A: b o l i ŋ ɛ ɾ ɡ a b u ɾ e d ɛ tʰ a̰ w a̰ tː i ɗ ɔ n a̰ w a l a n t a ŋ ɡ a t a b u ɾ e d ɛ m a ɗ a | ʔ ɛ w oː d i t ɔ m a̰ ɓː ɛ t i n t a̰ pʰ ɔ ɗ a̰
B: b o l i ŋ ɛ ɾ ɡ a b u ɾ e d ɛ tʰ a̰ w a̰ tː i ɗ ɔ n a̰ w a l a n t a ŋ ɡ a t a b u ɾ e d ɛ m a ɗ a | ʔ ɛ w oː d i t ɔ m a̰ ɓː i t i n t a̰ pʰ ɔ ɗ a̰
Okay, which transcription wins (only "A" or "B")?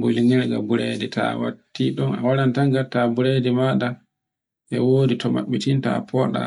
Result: B